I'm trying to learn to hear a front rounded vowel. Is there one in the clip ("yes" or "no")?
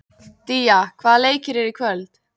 yes